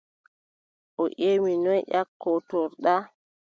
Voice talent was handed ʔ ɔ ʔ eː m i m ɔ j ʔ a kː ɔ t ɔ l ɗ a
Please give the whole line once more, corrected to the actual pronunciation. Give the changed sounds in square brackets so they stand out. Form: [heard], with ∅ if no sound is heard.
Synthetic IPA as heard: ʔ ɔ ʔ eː m i [n] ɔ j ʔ a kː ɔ t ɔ [ɾ] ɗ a